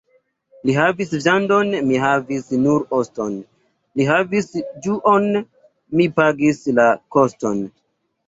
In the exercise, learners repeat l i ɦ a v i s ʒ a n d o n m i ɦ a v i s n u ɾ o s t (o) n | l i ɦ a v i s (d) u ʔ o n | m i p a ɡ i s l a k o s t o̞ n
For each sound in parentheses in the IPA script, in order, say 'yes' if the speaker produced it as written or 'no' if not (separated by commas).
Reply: yes, no